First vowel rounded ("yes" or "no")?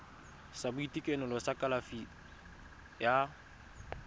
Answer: no